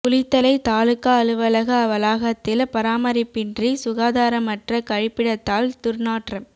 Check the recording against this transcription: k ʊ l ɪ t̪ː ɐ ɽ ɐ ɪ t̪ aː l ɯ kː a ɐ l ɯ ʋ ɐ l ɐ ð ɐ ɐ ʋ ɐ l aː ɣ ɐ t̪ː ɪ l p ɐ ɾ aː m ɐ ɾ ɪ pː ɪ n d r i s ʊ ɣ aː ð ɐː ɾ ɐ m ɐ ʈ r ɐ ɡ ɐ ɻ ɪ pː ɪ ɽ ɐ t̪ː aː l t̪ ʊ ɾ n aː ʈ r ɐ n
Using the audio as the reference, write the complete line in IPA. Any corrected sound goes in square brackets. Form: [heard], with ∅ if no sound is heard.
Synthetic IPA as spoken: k ʊ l ɪ t̪ː ɐ [l] ɐ ɪ t̪ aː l ɯ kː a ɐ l ɯ ʋ ɐ l ɐ [ɣ] ɐ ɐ ʋ ɐ l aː ɣ ɐ t̪ː ɪ l p ɐ ɾ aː m ɐ ɾ ɪ pː ɪ n d r i s ʊ ɣ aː ð [aː] ɾ ɐ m ɐ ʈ r ɐ [k] ɐ ɻ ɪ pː ɪ ɽ ɐ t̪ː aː l t̪ ʊ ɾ n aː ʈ r ɐ [m]